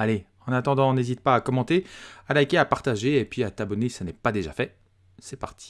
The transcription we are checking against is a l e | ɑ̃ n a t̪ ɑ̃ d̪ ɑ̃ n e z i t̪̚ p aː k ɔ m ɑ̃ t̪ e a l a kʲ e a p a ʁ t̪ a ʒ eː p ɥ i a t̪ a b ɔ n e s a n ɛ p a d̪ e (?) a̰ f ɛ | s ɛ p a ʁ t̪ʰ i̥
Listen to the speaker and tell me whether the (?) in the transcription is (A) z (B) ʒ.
B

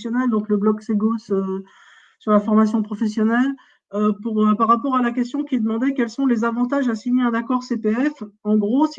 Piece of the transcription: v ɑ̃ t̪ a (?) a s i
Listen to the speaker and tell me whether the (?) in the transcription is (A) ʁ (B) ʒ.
B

